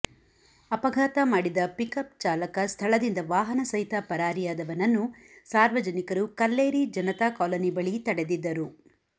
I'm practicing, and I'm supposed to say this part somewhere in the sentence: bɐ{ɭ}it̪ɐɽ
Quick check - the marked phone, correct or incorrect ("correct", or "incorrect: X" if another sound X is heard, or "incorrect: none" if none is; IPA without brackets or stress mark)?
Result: correct